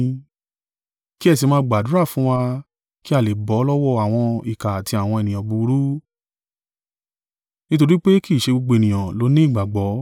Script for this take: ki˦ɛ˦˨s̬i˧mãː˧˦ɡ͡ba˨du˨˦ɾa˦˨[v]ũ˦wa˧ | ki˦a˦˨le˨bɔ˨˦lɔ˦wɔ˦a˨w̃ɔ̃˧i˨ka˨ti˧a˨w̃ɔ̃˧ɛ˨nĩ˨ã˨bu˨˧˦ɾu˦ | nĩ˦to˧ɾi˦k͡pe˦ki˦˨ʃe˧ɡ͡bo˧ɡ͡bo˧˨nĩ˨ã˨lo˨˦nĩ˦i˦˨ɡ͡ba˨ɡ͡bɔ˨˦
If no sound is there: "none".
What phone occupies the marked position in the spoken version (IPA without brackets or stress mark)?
f